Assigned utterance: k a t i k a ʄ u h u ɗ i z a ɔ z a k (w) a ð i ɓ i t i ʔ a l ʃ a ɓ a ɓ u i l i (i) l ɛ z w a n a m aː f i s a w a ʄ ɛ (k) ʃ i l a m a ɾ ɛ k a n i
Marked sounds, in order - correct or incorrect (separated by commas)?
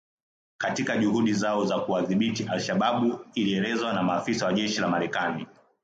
incorrect, incorrect, incorrect